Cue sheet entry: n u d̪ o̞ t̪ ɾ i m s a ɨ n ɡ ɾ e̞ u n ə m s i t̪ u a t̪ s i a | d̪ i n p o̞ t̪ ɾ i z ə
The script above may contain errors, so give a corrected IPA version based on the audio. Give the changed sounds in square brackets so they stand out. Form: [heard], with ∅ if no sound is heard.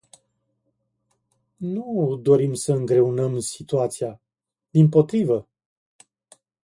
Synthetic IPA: n u d̪ o̞ [∅] ɾ i m s [ə] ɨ [ŋ] ɡ ɾ e̞ u n ə m s i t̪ u a t̪ s i a | d̪ i [m] p o̞ t̪ ɾ i [v] ə

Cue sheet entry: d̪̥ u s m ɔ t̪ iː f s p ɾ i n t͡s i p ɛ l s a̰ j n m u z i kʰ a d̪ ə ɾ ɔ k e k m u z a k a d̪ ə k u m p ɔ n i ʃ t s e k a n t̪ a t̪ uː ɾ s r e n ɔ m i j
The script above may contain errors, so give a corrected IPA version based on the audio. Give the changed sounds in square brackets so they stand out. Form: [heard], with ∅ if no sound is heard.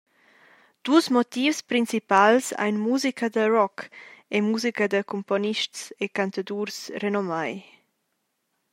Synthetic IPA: d̪̥ u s m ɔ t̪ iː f s p ɾ i n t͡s i p [a] l s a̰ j n m u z i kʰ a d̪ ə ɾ ɔ k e [∅] m u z [i] k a d̪ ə k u m p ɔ n i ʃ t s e k a n t̪ a [d̪] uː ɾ s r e n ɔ m [a] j

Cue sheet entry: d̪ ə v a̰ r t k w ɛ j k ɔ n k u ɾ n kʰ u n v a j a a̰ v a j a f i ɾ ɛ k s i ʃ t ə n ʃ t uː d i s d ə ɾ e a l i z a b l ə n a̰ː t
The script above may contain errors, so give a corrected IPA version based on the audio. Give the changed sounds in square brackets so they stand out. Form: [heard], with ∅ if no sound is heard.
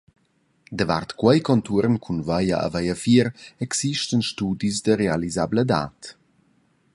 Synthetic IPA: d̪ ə v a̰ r t k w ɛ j k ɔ n [t] u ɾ n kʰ u n v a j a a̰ v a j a f i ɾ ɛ k s i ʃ t ə n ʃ t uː d i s d ə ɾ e a l i z a b l ə [d] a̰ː t

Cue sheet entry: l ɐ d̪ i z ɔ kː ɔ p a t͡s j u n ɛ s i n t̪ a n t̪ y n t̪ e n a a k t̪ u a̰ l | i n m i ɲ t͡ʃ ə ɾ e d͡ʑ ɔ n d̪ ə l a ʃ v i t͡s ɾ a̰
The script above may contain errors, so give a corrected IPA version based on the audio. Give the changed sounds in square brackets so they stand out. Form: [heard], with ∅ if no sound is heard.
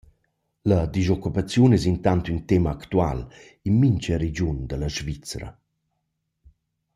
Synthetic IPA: l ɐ d̪ i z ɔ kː [u] p a t͡s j u n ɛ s i n t̪ a n t̪ y n t̪ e [m] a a k t̪ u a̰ l | i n m i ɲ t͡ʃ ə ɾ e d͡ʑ [u] n d̪ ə l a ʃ v i t͡s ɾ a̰

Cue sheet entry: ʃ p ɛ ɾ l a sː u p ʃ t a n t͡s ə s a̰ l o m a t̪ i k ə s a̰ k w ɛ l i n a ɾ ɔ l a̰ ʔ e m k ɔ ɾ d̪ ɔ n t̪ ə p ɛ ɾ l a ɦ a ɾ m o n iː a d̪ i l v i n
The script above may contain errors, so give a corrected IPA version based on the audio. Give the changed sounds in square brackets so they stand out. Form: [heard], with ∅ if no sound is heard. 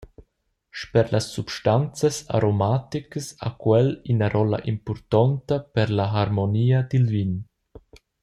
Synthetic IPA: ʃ p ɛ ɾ l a sː u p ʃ t a n t͡s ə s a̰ [ɾ] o m a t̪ i k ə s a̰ k w ɛ l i n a ɾ ɔ l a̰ ʔ [i] m [p] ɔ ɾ [t̪] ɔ n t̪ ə p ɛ ɾ l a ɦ a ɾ m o n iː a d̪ i l v i n

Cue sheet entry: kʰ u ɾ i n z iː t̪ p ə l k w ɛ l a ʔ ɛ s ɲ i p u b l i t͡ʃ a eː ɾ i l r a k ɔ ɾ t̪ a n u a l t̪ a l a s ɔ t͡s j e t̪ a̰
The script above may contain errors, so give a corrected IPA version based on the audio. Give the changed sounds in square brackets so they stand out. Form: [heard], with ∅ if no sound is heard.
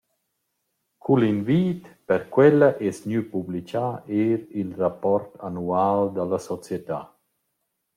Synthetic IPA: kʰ u [l] i n [v] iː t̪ p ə [ɾ] k w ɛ l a ʔ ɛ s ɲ [y] p u b l i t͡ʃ a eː ɾ i l r a [p] ɔ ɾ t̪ a n u a l [d̪] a l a s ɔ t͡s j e t̪ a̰

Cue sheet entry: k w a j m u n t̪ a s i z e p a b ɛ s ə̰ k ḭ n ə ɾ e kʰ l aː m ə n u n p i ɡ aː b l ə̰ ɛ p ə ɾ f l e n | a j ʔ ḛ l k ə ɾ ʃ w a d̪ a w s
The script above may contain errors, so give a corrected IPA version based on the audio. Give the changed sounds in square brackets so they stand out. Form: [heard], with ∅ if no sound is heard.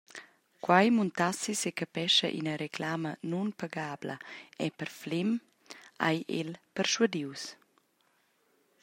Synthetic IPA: k w a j m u n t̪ a s i [s] e [k] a [p] ɛ [ʃ] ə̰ [ʔ] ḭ n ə ɾ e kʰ l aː m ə n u n p [a] ɡ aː b l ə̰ ɛ p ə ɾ f l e [m] | a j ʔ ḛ l [p] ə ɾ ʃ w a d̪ [i] w s

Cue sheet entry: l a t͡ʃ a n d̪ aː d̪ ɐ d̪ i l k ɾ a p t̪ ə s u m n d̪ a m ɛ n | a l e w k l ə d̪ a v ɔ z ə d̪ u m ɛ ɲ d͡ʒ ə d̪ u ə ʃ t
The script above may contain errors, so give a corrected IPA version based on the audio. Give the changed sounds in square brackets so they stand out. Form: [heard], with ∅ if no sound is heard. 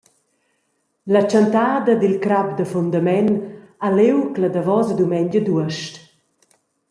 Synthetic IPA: l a t͡ʃ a n [t̪] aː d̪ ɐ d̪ i l k ɾ a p [d̪] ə [f] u [∅] n d̪ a m ɛ n | a l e w k l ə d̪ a v ɔ z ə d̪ u m ɛ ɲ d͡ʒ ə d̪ u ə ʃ t

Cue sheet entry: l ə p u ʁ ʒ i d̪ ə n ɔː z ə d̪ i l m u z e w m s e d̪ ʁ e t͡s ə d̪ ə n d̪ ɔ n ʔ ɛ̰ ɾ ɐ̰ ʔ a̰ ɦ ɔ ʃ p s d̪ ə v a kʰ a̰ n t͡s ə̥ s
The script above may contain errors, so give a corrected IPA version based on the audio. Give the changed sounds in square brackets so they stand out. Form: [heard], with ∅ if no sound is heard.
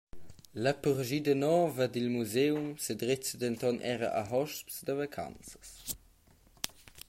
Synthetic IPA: l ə p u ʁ ʒ i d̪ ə n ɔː [v] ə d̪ i l m u z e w m s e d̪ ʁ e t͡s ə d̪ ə n [t̪] ɔ n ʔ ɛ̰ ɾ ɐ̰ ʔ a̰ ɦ ɔ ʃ p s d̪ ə v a kʰ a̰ n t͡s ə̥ s

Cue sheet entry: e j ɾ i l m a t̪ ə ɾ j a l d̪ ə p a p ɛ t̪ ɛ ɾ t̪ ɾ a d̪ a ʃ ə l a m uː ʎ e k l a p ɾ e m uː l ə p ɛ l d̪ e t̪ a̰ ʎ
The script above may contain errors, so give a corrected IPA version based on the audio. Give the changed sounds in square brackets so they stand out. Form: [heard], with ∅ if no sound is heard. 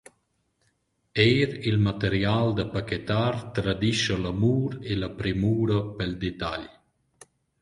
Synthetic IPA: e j ɾ i l m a t̪ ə ɾ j a l d̪ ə p a [k] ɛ t̪ [a] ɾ t̪ ɾ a d̪ [i] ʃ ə l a m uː [ɾ] e [∅] l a p ɾ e m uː [ɾ] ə p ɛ l d̪ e t̪ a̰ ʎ

